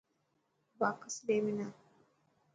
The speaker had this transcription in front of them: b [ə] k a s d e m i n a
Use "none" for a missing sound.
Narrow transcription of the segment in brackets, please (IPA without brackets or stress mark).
a